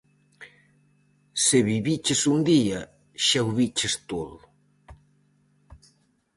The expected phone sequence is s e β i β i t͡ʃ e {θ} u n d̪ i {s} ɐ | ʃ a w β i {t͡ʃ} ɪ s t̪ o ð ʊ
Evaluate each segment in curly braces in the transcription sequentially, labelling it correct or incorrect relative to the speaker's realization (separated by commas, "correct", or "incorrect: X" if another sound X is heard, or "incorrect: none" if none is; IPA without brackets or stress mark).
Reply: incorrect: s, incorrect: none, correct